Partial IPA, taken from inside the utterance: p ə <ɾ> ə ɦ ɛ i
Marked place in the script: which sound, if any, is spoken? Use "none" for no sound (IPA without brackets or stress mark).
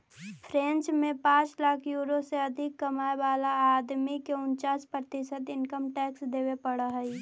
ɽ